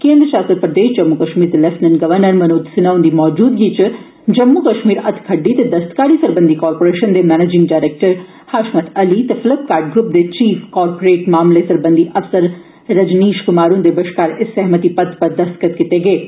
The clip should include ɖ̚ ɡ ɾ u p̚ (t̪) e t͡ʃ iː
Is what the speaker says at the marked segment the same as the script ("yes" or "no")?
no